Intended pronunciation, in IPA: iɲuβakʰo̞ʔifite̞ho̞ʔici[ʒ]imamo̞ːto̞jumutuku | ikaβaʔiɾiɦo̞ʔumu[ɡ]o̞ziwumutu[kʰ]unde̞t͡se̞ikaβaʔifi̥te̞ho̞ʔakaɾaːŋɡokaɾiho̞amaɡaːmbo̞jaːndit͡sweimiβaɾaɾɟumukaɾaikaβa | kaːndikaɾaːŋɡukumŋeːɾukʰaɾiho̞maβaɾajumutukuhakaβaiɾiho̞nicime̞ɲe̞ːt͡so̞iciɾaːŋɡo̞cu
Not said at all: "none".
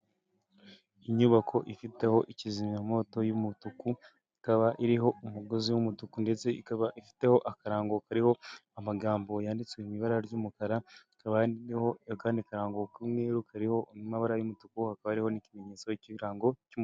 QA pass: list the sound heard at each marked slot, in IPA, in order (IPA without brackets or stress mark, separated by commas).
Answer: z, ɡ, k